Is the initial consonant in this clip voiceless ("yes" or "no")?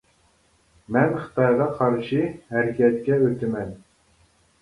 no